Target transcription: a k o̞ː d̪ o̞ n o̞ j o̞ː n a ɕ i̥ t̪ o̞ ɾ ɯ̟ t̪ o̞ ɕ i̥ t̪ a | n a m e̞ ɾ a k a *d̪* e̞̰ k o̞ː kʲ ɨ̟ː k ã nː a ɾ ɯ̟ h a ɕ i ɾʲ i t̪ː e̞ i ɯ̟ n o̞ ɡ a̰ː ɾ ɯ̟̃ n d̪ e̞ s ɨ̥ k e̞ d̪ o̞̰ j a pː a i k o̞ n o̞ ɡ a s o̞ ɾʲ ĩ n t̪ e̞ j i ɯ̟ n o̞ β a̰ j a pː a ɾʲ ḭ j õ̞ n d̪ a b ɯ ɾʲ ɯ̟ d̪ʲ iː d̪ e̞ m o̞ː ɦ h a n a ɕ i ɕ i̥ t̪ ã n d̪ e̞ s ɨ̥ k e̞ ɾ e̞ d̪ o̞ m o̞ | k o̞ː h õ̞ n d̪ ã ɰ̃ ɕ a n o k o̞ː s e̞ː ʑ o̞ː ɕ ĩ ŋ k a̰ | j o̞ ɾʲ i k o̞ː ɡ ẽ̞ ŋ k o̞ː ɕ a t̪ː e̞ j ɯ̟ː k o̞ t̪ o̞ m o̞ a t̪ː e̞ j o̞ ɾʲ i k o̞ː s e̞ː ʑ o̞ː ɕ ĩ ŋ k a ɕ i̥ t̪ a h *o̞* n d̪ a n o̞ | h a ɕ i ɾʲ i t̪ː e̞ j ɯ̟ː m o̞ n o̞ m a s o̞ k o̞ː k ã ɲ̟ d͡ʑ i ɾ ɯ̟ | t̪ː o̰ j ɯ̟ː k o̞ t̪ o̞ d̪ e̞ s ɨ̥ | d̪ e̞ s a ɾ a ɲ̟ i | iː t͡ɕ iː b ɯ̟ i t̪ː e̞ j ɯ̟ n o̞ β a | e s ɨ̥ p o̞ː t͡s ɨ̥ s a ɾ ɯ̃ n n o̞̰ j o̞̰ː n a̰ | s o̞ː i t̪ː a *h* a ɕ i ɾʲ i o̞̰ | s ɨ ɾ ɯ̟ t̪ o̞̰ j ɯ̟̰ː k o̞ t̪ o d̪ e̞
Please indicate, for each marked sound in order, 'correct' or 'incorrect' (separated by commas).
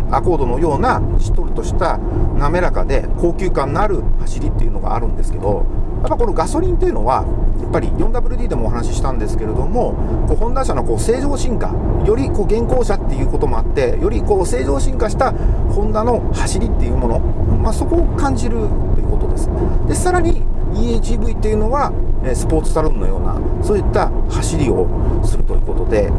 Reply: correct, incorrect, correct